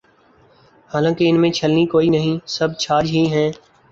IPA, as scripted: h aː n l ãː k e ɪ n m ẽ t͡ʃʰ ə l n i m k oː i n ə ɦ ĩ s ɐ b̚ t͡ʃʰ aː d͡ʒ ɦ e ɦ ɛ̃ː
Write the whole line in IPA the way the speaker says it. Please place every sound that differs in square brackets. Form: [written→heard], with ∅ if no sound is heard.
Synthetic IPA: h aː [n→∅] l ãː k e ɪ n m ẽ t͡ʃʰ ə l n i [m→∅] k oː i n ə ɦ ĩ s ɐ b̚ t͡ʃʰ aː d͡ʒ ɦ [e→i] ɦ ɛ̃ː